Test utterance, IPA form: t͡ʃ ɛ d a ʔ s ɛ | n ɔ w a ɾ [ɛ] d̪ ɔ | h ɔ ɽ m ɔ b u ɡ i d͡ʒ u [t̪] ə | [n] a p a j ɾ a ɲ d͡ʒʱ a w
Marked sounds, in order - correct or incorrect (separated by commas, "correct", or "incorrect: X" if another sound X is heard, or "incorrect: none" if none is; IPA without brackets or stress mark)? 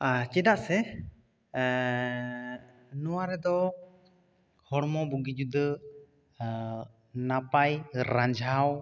correct, incorrect: d̪, correct